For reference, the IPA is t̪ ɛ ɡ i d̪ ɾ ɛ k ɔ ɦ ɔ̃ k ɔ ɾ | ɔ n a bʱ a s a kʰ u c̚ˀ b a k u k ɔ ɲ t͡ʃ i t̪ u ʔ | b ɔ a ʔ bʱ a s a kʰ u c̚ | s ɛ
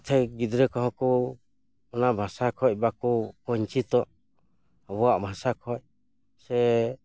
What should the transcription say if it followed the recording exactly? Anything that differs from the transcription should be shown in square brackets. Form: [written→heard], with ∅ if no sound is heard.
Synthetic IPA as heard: [t̪→t̪ʰ] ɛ ɡ i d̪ ɾ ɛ k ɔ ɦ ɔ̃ k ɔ [ɾ→∅] | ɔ n a bʱ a s a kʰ [u→ɔ] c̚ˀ b a k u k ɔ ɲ t͡ʃ i t̪ [u→ɔ] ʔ | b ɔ a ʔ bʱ a s a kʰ [u→ɔ] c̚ | s ɛ

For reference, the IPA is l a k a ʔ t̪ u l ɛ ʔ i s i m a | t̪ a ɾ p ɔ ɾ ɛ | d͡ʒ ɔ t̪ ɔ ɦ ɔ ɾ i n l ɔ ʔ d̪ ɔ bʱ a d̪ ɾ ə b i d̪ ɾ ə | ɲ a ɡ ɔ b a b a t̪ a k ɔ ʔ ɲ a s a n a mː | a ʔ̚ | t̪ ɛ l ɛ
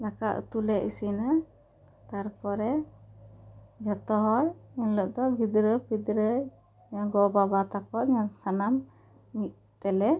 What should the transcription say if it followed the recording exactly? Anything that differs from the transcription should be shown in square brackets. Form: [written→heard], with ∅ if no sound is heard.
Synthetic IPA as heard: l a k a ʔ t̪ u l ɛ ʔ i s i [m→n] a | t̪ a ɾ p ɔ ɾ ɛ | d͡ʒ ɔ t̪ ɔ ɦ ɔ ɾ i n l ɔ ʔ d̪ ɔ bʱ [a→i] d̪ ɾ ə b i d̪ ɾ ə | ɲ a ɡ ɔ b a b a t̪ a k ɔ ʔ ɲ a s a n a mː | [a→i] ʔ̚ | t̪ ɛ l ɛ

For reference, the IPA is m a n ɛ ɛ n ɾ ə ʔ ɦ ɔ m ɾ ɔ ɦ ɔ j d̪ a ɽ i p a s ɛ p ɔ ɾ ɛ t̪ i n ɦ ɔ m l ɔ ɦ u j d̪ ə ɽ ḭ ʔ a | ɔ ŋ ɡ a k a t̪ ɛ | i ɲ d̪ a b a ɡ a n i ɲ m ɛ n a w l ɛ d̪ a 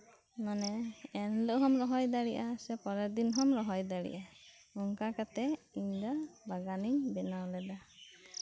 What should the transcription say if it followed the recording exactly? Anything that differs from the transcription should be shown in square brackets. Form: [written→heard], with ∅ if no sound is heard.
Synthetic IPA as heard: m a n ɛ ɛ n [ɾ→l] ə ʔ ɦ ɔ m ɾ ɔ ɦ ɔ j d̪ a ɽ i [p→ʔ] a s ɛ p ɔ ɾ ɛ [t̪→d̪] i n ɦ ɔ m [l→ɾ] ɔ ɦ [u→ɔ] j d̪ [ə→a] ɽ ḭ ʔ a | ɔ ŋ [ɡ→k] a k a t̪ ɛ | i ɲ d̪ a b a ɡ a n i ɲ [m→b] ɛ n a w l ɛ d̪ a

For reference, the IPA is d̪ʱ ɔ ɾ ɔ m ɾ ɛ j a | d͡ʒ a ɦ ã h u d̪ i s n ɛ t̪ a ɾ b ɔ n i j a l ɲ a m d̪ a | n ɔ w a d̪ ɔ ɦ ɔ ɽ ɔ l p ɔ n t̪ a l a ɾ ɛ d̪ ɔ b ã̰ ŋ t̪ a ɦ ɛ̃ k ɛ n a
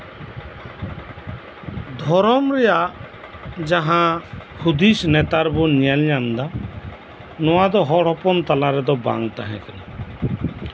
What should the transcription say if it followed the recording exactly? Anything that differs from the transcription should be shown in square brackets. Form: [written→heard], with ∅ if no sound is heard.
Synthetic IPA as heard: d̪ʱ ɔ ɾ ɔ m ɾ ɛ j a | d͡ʒ a ɦ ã h u d̪ i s n ɛ t̪ a ɾ b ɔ n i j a l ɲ a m d̪ a | n ɔ w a d̪ ɔ ɦ ɔ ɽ ɔ [l→∅] p ɔ n t̪ a l a ɾ ɛ d̪ ɔ b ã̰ ŋ t̪ a ɦ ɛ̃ k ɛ n a

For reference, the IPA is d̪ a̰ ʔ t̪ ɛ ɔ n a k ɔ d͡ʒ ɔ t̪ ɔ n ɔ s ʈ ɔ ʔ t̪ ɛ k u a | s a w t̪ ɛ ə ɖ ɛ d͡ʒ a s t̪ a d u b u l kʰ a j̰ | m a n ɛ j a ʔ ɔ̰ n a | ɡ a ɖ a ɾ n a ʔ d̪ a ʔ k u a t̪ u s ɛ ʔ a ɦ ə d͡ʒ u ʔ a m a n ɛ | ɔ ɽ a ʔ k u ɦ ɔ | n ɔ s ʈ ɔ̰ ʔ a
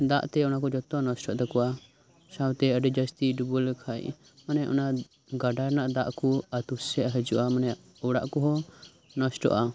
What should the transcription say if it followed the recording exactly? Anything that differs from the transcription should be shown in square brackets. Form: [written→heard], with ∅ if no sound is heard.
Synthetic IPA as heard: d̪ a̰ ʔ t̪ ɛ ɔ n a k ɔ d͡ʒ ɔ t̪ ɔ n ɔ s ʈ ɔ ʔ t̪ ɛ k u a | s a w t̪ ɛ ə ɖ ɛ d͡ʒ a s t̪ [a→i] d u b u l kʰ a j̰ | m a n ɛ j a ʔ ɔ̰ n a | ɡ a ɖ a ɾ n a ʔ d̪ a ʔ k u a t̪ u s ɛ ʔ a ɦ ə d͡ʒ u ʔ a m a n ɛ | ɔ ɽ a ʔ k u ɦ ɔ | n ɔ s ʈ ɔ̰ ʔ a

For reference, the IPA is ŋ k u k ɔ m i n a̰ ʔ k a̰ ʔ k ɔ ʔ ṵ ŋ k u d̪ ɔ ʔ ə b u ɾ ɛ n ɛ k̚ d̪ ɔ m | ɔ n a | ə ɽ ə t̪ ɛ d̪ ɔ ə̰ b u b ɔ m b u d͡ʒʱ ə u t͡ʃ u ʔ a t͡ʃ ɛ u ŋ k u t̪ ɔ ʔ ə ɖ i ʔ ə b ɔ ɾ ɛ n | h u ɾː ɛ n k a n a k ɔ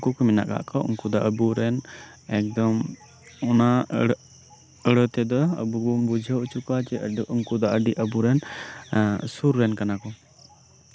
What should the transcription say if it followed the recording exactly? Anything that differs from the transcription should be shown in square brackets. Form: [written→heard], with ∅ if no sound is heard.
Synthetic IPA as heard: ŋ k u k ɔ m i n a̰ ʔ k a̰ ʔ k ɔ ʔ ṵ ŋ k u d̪ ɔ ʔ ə b u ɾ ɛ n ɛ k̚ d̪ ɔ m | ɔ n a | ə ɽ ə t̪ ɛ d̪ ɔ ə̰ b u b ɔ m b u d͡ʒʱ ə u t͡ʃ u [ʔ→k] a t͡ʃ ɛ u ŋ k u [t̪→d̪] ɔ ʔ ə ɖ i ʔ ə b [ɔ→u] ɾ ɛ n | [h→s] u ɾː ɛ n k a n a k ɔ

